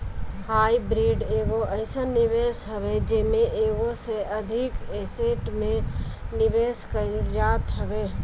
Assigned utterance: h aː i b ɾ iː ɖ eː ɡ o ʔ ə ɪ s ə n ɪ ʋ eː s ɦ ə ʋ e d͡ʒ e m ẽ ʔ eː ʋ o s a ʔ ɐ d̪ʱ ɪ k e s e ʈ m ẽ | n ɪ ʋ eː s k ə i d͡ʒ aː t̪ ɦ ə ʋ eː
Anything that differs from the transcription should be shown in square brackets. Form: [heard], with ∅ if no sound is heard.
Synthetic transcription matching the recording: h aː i b ɾ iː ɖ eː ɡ o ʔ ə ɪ s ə n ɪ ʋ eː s ɦ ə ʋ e d͡ʒ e m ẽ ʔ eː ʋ o s [e] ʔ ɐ d̪ʱ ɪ k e s e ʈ m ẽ | n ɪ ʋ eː s k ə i d͡ʒ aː t̪ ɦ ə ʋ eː